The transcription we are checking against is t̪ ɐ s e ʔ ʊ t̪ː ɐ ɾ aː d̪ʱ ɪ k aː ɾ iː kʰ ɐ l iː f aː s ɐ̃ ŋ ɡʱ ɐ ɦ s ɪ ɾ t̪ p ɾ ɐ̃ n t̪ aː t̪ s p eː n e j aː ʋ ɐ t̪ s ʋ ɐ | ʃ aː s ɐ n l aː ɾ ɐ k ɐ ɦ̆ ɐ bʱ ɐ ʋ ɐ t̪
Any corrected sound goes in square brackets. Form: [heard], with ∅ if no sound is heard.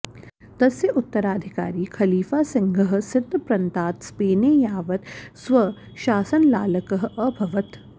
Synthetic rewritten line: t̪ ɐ s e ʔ ʊ t̪ː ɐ ɾ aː d̪ʱ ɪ k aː ɾ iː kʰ ɐ l iː f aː s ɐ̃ ŋ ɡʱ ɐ ɦ s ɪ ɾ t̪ p ɾ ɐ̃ n t̪ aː t̪ s p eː n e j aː ʋ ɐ t̪ s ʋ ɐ | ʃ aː s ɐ n l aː [l] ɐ k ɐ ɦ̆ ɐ bʱ ɐ ʋ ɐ t̪